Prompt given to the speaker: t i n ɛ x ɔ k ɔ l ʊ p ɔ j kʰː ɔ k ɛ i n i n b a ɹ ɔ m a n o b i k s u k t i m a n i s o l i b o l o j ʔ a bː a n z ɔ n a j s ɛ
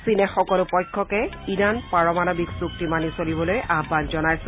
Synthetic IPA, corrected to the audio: s i n ɛ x ɔ k ɔ l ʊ p ɔ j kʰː ɔ k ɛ i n a n p a ɹ ɔ m a n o b i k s u k t i m a n i s o l i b ɔ l o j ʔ a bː a n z ɔ n a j s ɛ